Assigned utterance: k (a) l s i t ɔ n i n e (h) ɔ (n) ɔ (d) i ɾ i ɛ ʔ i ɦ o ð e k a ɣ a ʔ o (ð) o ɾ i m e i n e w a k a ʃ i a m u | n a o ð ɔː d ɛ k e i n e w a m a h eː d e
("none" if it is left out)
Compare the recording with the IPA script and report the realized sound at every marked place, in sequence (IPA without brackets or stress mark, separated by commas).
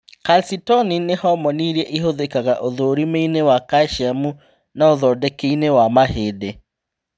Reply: a, h, m, n, ð